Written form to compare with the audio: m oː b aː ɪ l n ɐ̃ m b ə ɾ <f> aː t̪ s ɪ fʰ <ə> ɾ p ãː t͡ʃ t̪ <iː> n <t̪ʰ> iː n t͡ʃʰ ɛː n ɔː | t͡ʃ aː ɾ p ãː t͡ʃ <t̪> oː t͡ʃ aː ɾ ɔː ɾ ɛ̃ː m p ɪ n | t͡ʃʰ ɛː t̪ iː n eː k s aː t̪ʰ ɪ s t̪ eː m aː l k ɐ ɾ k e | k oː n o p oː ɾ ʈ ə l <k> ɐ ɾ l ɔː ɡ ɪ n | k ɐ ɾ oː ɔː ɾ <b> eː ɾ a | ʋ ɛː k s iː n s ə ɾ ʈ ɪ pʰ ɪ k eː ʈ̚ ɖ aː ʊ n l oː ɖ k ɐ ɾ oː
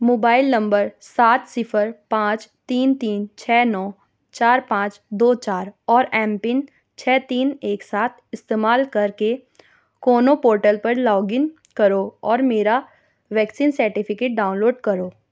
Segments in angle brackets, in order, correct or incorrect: incorrect, correct, correct, incorrect, incorrect, incorrect, incorrect

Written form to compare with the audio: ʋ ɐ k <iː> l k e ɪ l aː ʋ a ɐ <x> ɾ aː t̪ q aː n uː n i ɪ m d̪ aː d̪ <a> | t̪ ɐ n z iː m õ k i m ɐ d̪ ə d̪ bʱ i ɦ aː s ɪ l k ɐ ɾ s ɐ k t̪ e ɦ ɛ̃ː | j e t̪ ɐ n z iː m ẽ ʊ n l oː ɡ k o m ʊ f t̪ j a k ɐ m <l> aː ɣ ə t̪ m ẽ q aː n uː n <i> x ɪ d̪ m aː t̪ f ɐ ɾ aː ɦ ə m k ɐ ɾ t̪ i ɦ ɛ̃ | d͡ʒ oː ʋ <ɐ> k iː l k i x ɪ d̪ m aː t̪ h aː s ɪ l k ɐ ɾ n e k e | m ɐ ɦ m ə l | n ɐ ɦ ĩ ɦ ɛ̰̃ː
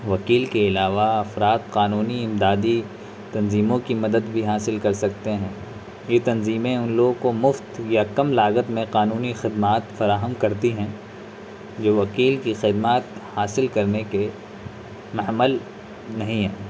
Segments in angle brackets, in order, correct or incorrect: correct, incorrect, incorrect, correct, correct, correct

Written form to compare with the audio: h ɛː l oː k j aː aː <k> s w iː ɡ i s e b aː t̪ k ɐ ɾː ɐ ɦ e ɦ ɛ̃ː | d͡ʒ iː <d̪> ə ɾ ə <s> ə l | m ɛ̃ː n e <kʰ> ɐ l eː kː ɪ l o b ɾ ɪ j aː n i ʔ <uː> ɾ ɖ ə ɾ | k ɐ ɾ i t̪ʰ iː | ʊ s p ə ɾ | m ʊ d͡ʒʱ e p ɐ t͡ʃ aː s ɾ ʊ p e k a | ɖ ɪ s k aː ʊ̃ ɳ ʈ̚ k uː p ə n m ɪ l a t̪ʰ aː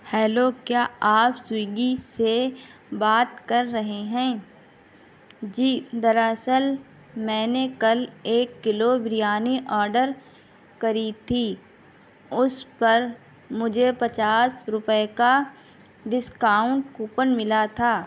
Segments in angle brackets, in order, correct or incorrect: incorrect, correct, correct, incorrect, incorrect

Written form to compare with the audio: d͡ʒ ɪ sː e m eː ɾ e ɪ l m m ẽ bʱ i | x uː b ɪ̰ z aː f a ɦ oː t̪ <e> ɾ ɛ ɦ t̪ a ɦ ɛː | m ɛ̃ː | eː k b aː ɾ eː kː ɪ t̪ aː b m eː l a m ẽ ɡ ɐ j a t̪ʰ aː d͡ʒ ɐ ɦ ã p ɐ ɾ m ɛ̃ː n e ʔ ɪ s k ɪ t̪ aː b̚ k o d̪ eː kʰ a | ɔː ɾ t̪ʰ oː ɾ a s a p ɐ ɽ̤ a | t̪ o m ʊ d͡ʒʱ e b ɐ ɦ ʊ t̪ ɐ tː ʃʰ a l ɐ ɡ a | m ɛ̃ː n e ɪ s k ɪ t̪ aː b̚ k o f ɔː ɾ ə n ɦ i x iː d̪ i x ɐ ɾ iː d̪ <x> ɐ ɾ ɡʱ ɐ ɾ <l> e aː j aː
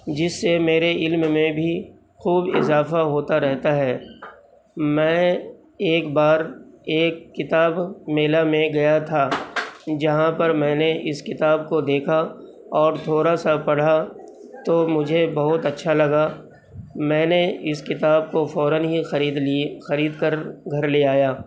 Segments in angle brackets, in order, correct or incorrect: incorrect, incorrect, correct

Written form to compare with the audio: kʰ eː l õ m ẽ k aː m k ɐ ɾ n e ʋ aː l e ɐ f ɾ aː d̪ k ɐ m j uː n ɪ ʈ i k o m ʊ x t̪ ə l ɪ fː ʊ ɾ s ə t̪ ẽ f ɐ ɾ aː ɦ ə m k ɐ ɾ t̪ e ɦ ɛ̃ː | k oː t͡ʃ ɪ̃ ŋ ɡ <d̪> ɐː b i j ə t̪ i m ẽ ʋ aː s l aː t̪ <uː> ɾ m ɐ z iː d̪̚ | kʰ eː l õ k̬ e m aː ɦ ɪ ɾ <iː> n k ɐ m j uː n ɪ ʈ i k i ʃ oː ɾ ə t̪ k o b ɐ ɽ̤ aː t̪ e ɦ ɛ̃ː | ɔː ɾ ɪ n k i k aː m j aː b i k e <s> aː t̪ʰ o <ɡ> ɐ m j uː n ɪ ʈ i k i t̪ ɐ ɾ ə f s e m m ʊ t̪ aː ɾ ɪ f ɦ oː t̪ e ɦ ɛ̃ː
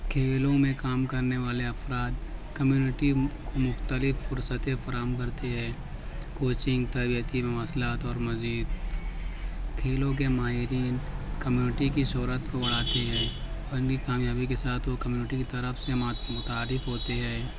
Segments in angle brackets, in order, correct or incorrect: incorrect, incorrect, correct, correct, incorrect

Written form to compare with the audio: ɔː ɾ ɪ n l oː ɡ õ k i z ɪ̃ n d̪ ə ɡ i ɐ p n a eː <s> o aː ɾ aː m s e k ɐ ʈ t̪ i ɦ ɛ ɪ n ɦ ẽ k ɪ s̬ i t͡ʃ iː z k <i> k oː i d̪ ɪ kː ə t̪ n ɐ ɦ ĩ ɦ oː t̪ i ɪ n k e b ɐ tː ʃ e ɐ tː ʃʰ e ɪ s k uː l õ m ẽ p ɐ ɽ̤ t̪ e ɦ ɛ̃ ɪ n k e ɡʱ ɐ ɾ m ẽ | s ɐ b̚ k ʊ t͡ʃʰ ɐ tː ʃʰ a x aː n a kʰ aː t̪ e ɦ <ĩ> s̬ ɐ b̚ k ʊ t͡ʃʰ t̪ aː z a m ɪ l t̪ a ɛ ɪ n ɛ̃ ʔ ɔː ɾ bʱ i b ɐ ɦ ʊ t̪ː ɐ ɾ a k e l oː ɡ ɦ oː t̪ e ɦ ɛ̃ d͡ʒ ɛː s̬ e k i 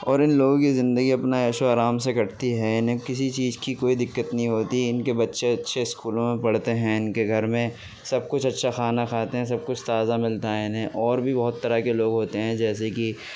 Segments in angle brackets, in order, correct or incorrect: incorrect, correct, incorrect

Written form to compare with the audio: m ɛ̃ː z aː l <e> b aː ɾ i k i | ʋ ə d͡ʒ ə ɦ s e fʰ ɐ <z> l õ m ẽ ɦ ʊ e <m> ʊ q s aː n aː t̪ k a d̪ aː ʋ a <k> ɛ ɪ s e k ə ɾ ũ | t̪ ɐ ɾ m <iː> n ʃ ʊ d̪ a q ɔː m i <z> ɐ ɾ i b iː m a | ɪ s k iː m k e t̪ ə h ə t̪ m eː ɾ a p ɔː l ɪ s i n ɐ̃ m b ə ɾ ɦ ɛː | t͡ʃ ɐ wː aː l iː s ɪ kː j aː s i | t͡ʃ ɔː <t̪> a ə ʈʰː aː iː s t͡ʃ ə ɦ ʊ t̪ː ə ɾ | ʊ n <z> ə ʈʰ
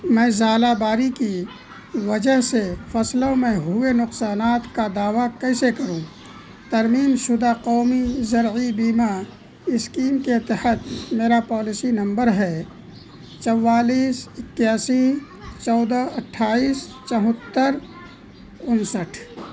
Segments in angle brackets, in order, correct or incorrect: incorrect, incorrect, incorrect, correct, correct, correct, incorrect, incorrect

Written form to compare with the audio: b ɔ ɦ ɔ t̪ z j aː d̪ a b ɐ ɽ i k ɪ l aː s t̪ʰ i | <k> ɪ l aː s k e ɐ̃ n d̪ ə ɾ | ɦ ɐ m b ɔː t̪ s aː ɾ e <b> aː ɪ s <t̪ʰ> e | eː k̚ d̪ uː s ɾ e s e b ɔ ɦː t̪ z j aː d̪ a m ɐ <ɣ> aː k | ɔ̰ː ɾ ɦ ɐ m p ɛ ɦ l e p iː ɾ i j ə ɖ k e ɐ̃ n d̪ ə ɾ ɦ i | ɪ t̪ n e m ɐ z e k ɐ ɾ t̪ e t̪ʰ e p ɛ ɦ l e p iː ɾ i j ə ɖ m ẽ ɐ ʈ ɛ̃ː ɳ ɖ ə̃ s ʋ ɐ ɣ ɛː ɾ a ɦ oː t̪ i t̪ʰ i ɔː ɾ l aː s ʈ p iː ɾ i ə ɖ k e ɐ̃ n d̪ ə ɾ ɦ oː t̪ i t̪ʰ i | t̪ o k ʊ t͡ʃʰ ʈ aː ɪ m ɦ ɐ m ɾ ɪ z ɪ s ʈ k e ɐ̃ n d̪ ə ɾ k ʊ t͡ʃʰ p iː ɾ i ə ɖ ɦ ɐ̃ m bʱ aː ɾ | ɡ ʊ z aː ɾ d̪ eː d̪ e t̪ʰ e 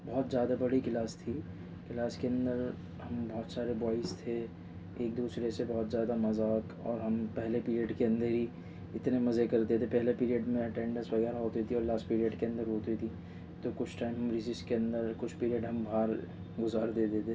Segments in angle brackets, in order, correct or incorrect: correct, correct, correct, incorrect

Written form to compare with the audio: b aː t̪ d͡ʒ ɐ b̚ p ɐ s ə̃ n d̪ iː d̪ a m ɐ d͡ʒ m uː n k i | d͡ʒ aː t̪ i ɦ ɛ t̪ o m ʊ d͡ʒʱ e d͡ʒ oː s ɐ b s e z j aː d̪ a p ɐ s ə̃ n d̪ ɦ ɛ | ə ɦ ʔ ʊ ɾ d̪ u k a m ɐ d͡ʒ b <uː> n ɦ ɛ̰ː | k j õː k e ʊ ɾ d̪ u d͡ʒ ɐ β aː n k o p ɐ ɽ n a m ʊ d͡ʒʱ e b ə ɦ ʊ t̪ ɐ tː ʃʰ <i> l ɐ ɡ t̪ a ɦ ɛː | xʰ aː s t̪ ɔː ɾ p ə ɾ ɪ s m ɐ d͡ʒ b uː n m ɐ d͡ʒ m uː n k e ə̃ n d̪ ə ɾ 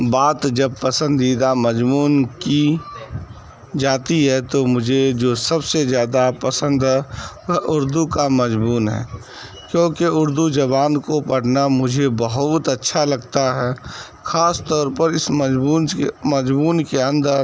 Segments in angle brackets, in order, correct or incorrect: correct, incorrect

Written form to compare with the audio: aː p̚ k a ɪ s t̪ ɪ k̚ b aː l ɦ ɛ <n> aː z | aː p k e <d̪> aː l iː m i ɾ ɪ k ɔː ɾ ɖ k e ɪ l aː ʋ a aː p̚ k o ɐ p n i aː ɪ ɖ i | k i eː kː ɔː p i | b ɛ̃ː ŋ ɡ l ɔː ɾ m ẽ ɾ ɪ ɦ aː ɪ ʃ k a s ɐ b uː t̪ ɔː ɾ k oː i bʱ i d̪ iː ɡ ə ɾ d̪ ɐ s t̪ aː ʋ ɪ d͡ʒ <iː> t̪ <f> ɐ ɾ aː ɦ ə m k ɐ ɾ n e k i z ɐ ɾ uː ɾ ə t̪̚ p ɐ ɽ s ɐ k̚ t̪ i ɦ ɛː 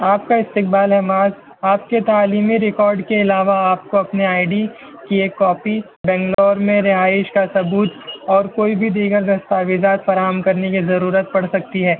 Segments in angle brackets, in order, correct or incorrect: incorrect, incorrect, incorrect, correct

